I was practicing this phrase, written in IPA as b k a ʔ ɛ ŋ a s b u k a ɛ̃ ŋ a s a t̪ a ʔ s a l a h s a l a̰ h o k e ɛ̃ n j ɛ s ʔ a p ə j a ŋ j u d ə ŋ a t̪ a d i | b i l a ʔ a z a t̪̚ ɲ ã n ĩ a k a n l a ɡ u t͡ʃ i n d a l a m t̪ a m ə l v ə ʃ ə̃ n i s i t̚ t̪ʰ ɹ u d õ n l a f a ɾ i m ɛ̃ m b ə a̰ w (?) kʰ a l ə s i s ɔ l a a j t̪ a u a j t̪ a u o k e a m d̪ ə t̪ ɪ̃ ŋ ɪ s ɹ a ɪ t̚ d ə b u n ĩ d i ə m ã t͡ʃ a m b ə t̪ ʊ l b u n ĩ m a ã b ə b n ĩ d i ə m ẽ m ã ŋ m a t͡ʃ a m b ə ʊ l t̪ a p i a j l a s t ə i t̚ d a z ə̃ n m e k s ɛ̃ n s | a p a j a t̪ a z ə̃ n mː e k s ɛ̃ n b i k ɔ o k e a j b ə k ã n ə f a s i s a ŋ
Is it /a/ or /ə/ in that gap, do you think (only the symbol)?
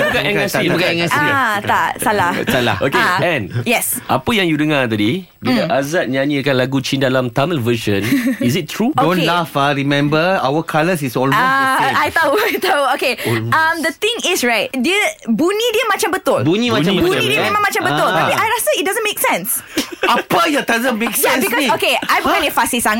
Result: ə